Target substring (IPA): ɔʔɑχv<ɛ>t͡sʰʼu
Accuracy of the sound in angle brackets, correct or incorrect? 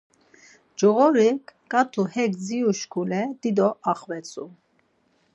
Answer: correct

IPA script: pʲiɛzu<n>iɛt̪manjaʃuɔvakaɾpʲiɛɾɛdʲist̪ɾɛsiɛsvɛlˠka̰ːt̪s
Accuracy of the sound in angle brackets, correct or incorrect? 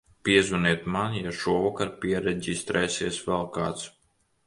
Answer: correct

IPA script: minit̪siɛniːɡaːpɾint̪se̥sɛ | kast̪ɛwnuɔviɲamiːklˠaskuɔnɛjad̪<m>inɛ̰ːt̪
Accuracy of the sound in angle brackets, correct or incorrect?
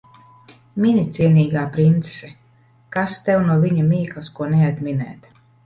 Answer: correct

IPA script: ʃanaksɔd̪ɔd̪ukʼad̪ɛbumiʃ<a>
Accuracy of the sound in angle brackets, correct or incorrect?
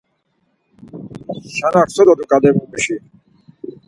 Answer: incorrect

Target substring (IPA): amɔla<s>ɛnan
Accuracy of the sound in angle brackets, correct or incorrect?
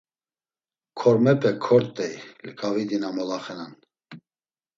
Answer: incorrect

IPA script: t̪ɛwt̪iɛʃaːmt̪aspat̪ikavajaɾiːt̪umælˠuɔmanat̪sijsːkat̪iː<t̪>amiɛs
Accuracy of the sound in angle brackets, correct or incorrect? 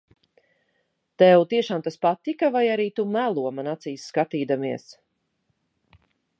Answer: incorrect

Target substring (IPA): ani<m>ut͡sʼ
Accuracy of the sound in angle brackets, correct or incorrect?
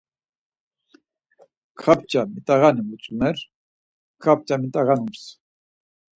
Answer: correct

